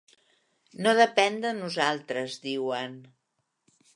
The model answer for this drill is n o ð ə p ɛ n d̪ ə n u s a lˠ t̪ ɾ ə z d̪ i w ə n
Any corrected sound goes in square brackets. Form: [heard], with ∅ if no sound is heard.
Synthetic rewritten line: n o ð ə p ɛ n d̪ ə n u [z] a lˠ t̪ ɾ ə z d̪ i w ə n